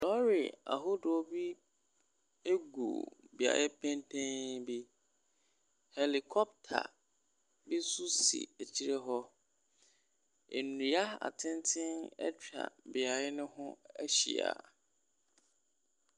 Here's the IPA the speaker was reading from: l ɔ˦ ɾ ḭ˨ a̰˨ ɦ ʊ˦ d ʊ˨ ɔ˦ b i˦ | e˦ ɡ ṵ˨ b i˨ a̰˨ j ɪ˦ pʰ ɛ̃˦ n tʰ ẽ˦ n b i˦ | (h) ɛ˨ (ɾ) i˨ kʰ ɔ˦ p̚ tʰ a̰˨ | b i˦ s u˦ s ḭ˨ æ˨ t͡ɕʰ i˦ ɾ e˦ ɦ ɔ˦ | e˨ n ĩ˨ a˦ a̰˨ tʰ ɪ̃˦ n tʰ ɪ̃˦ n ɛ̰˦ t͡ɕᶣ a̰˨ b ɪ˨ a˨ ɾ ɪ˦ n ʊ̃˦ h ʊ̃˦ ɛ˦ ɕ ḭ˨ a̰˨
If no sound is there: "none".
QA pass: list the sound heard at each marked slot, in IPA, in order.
h, l

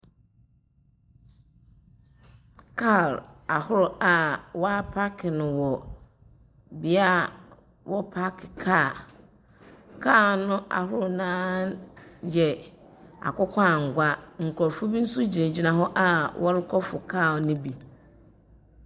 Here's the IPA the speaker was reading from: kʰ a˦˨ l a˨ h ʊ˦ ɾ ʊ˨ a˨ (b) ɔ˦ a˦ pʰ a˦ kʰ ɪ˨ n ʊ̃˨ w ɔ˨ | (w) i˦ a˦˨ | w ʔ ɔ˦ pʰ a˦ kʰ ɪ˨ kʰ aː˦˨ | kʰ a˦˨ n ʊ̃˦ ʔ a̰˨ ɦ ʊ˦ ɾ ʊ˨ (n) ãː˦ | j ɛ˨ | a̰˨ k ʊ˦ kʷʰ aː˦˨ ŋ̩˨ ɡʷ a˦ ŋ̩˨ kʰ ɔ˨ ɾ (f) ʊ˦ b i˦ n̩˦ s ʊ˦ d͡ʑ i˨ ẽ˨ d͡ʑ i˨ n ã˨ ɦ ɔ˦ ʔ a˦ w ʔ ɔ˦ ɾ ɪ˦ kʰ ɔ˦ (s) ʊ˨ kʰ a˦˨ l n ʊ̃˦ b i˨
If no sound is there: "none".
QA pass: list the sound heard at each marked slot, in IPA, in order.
w, b, n, f, f

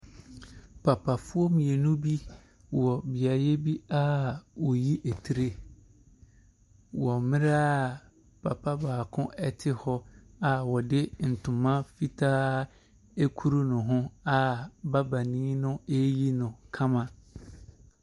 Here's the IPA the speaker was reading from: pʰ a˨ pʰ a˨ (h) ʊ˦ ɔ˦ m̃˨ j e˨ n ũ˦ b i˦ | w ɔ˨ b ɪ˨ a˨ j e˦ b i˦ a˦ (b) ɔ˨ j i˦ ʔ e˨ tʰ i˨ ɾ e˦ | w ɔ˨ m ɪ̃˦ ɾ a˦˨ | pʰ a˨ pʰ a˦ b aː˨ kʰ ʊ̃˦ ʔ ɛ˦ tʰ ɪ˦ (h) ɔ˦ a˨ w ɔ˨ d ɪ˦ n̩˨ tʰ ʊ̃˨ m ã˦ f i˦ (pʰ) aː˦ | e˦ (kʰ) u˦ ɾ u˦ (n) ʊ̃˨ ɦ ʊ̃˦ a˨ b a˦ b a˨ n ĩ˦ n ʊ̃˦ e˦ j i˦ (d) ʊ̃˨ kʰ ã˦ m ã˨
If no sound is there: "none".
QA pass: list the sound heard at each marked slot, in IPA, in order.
f, w, h, tʰ, kʰ, n, n

